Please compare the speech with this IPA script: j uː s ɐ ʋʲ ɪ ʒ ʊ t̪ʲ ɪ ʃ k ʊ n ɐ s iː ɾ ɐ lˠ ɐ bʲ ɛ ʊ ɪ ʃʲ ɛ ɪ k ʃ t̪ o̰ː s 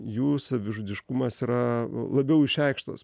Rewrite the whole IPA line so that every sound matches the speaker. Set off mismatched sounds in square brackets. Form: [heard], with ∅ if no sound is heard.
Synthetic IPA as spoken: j uː s ɐ ʋʲ ɪ ʒ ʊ [d̪ʲ] ɪ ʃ k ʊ [m] ɐ s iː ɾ ɐ lˠ ɐ bʲ ɛ ʊ ɪ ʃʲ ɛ ɪ k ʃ t̪ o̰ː s